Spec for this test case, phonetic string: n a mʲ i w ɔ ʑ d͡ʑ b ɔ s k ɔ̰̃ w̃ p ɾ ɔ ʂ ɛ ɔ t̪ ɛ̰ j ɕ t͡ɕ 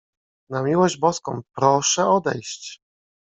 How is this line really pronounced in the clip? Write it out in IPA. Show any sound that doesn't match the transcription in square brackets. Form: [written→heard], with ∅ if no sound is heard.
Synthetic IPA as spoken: n a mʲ i w ɔ ʑ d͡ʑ b ɔ s k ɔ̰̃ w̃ p ɾ ɔ ʂ ɛ ɔ [t̪→d̪] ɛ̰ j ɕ t͡ɕ